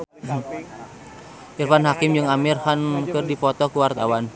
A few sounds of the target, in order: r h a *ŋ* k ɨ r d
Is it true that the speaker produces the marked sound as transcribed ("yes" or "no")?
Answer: no